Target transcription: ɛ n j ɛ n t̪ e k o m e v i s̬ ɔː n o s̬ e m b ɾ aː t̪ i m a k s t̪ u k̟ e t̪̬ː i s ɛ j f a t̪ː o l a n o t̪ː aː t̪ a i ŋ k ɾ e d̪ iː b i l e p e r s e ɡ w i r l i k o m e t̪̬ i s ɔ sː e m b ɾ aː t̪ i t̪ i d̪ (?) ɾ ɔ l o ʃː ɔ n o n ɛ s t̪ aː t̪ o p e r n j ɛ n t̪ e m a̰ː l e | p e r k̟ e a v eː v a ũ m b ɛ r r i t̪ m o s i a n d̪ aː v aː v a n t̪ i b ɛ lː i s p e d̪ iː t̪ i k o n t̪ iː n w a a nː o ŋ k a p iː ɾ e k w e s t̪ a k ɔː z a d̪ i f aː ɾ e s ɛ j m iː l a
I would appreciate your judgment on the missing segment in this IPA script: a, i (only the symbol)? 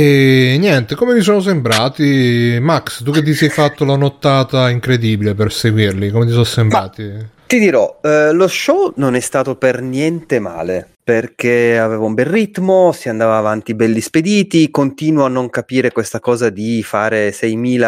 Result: i